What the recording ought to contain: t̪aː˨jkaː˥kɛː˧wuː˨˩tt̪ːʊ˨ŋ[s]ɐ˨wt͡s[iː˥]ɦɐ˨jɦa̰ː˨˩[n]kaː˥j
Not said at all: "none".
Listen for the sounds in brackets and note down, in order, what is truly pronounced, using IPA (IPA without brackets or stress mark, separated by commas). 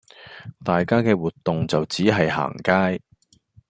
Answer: t͡s, iː˨˥, ŋ